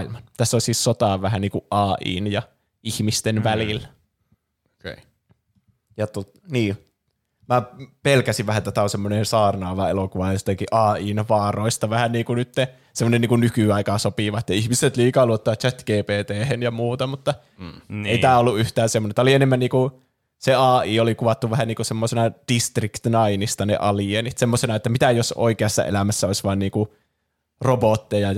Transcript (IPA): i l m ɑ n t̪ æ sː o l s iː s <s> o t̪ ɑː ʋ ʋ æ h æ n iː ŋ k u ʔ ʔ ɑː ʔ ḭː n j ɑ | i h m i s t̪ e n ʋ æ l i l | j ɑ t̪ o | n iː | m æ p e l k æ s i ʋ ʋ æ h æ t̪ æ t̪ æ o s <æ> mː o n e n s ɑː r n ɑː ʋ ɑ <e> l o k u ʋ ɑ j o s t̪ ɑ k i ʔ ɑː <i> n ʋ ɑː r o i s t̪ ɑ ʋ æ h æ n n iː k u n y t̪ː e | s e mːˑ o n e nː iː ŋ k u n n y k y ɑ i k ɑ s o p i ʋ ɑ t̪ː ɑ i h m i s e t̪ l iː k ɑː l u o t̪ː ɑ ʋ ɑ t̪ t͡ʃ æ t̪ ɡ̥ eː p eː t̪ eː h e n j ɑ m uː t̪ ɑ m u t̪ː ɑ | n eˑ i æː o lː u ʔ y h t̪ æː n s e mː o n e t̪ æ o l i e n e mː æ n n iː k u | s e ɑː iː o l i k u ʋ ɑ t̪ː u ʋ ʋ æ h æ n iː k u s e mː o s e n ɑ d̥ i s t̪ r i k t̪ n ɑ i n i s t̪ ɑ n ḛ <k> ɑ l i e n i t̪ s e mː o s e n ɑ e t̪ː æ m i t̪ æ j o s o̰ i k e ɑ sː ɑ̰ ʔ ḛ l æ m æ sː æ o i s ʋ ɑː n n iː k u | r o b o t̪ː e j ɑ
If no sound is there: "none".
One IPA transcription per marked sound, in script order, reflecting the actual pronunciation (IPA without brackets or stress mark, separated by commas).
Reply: s, e, e, iː, ʔ